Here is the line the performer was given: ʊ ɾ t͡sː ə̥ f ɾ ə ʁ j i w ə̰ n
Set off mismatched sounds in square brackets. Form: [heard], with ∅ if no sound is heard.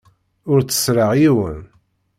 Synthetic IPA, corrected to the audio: ʊ ɾ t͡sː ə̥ [s] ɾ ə ʁ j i w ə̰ n